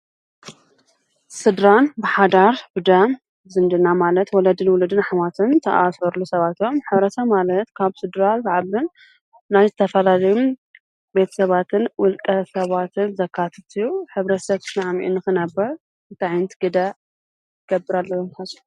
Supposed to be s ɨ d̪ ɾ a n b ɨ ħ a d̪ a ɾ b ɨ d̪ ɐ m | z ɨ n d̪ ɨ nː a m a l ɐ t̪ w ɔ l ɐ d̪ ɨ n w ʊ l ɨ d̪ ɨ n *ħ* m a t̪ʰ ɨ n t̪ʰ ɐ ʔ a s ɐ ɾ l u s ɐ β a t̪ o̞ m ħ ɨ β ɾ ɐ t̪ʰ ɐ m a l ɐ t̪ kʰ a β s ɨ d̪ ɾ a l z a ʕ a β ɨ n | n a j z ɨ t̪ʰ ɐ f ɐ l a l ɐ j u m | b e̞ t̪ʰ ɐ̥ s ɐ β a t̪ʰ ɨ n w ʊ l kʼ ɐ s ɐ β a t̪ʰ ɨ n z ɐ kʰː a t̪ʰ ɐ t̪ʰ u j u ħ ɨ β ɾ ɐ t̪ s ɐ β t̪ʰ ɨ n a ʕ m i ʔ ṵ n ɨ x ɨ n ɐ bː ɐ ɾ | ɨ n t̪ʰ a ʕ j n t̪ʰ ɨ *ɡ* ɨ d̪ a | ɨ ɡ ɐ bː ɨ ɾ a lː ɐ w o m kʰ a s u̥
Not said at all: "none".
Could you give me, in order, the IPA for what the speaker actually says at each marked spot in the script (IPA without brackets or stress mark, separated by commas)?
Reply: ħ, ɡ